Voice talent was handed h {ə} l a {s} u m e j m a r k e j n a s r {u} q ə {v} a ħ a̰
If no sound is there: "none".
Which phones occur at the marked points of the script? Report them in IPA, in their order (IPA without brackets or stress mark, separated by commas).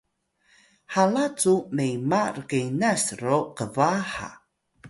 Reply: a, t͡s, o, v